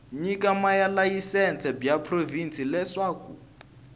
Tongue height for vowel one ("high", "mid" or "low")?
high